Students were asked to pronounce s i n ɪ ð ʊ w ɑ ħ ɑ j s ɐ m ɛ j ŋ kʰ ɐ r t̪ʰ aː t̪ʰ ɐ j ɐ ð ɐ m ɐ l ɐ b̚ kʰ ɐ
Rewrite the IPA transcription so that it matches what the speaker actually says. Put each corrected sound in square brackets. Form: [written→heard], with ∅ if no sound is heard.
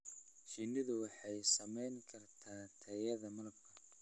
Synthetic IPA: [s→ʃ] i n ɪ ð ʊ w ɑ ħ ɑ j s ɐ m ɛ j ŋ kʰ ɐ r t̪ʰ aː t̪ʰ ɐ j ɐ ð ɐ m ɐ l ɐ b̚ kʰ ɐ